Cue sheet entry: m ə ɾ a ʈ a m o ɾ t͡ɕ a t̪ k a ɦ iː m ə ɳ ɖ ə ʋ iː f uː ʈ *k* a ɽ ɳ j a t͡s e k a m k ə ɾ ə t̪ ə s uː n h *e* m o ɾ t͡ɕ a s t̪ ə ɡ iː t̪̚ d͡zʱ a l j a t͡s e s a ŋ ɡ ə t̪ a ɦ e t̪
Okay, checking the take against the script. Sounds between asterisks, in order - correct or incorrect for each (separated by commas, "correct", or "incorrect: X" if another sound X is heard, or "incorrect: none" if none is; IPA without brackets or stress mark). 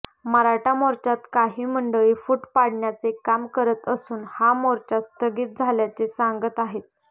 incorrect: p, incorrect: a